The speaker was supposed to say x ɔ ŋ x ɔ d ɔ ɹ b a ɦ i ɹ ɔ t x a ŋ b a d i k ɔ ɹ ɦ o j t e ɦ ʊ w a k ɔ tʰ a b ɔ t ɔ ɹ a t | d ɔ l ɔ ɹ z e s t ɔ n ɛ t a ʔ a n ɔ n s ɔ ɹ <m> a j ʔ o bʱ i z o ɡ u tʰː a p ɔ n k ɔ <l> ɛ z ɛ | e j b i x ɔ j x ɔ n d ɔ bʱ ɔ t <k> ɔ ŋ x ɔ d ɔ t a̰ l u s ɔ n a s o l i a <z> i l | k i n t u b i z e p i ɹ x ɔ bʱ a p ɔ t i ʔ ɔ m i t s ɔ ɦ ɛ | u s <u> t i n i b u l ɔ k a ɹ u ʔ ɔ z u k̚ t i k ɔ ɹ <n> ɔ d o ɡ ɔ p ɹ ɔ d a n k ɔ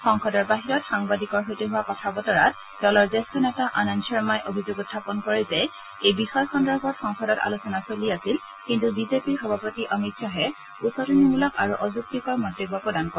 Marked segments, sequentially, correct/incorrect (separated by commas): correct, incorrect, incorrect, incorrect, incorrect, incorrect